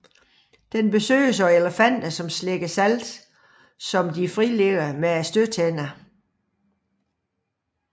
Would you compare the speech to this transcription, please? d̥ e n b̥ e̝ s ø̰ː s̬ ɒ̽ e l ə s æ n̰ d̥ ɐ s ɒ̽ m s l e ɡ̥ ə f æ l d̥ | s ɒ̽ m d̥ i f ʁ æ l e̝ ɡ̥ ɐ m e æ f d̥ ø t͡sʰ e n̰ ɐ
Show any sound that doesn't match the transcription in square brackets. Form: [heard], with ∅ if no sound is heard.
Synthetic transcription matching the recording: d̥ e n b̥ e̝ s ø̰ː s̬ ɒ̽ e l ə [f] æ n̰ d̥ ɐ s ɒ̽ m s l e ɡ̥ ə [s] æ l d̥ | s ɒ̽ m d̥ i f ʁ [i] l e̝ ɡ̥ ɐ m e æ [s] d̥ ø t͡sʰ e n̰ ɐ

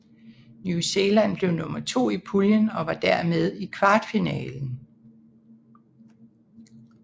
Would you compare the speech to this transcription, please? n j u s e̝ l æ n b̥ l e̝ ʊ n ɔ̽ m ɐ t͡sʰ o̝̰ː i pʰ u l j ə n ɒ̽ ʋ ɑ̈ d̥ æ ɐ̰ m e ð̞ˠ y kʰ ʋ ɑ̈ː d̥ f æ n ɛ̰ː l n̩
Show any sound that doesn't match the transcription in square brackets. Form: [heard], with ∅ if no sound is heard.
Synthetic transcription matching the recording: n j u s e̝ l æ n b̥ l e̝ ʊ n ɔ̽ m ɐ t͡sʰ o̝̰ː i pʰ u l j ə n ɒ̽ ʋ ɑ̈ d̥ æ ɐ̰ m e ð̞ˠ [i] kʰ ʋ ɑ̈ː d̥ f [i] n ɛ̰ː l n̩

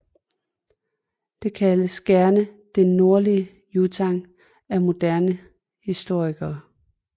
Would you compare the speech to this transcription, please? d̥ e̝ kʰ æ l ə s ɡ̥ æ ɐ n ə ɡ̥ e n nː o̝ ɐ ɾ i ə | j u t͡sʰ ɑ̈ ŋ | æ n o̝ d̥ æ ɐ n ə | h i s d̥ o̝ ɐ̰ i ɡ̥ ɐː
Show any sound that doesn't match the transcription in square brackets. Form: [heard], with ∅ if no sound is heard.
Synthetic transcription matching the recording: d̥ e̝ kʰ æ l ə s ɡ̥ æ ɐ n ə [d̥] e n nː o̝ ɐ [l] i ə | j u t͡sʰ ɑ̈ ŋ | æ [m] o̝ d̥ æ ɐ n ə | h i s d̥ o̝ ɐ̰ i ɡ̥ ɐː

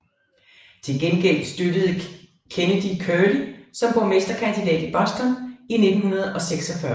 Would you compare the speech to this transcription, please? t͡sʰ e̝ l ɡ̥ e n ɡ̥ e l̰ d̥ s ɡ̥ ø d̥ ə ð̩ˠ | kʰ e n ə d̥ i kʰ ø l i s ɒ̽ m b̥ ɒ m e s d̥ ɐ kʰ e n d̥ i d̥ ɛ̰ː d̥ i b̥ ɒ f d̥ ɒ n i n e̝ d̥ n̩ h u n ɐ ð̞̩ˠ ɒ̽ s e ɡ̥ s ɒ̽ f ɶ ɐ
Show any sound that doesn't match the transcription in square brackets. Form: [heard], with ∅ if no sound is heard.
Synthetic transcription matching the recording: t͡sʰ e̝ l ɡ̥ e n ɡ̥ e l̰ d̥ s [d̥] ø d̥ ə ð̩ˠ | kʰ e n ə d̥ i kʰ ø l i s ɒ̽ m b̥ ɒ m e s d̥ ɐ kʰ [æ] n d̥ i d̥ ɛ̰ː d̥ i b̥ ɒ [s] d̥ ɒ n i n e̝ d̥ n̩ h u n ɐ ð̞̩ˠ ɒ̽ s e ɡ̥ s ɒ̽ f ɶ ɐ

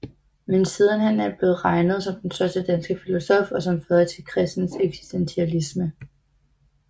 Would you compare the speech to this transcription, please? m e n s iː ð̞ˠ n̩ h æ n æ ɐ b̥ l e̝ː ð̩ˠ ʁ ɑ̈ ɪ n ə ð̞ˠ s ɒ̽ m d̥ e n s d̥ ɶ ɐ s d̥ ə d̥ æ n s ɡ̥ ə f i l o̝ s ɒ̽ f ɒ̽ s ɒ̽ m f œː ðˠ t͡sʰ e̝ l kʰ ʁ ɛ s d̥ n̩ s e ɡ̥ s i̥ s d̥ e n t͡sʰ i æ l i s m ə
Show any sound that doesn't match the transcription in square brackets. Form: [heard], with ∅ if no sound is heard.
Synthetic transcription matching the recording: m e n s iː ð̞ˠ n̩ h æ n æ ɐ b̥ l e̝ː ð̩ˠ ʁ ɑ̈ ɪ n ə ð̞ˠ s ɒ̽ m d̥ e n s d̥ ɶ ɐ s d̥ ə d̥ æ n s ɡ̥ ə f i l o̝ s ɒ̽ f ɒ̽ s ɒ̽ m f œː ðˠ t͡sʰ e̝ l kʰ ʁ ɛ s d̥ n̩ s e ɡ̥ s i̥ s d̥ e n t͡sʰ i æ l i s m ə

